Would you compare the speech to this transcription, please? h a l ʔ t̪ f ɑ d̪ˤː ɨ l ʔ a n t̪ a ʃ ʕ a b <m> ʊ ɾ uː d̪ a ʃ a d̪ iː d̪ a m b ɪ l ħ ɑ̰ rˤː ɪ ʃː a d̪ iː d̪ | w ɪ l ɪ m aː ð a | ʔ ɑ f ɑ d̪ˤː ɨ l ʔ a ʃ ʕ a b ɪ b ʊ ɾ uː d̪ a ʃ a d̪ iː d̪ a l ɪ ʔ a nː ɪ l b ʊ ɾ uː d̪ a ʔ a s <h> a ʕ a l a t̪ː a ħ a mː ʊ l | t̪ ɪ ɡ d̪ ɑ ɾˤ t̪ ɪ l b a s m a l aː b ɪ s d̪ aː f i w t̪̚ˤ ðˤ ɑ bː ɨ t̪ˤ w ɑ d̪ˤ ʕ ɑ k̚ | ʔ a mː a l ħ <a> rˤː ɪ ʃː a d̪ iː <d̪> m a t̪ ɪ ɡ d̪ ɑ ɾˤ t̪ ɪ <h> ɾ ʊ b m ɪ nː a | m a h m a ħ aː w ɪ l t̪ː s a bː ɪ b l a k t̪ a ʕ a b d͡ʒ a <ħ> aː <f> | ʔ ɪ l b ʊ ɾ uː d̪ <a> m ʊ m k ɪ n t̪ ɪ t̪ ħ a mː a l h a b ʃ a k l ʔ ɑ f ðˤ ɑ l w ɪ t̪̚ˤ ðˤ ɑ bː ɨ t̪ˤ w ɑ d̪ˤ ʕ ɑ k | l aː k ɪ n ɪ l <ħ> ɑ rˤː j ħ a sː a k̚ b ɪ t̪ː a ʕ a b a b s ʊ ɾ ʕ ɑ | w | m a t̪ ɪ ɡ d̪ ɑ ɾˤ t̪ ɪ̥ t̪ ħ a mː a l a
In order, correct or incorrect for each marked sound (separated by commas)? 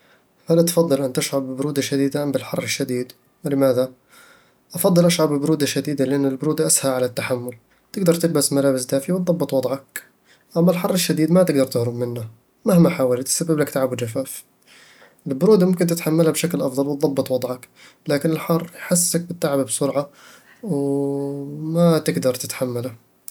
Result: incorrect, correct, incorrect, correct, correct, incorrect, correct, correct, correct